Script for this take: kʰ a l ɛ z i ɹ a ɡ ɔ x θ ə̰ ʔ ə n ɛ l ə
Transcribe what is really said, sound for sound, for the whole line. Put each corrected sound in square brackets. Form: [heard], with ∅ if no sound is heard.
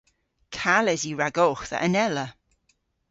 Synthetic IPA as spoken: kʰ a l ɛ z i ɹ a ɡ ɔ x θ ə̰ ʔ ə n ɛ l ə